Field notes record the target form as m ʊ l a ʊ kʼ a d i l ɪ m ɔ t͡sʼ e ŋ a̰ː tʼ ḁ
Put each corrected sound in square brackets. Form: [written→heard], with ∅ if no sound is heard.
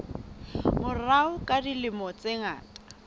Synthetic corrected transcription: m ʊ [l→r] a ʊ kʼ a d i l ɪ m ɔ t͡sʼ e ŋ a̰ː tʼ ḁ

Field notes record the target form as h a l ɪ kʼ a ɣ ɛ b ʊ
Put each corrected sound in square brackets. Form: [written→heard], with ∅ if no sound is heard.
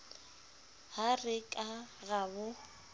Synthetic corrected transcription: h a [l→r] ɪ kʼ a ɣ [ɛ→a] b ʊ

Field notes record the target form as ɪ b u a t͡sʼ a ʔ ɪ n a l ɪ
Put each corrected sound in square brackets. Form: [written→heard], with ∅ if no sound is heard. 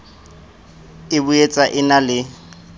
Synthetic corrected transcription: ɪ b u [a→e] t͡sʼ a ʔ ɪ n a l ɪ

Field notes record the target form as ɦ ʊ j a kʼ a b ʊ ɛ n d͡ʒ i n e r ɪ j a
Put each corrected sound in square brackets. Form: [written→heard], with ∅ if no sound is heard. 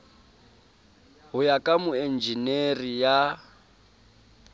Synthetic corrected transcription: ɦ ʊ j a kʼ a [b→m] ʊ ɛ n d͡ʒ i n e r [ɪ→i] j a

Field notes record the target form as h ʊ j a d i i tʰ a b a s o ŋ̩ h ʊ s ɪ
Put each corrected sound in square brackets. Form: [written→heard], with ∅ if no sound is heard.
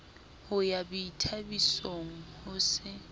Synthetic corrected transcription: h ʊ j a [d→b] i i tʰ a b [a→i] s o ŋ̩ h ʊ s ɪ

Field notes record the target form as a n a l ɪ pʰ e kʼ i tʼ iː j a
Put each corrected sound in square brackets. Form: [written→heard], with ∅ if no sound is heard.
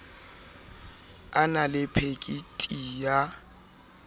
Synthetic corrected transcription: a n a l ɪ pʰ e kʼ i tʼ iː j a

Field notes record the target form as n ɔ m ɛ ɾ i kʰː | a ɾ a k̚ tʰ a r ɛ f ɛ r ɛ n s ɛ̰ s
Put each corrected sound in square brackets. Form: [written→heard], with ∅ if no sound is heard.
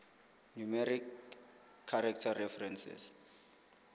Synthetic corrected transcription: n [ɔ→u] m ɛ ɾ i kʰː | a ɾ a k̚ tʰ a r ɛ f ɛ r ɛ n s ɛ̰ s

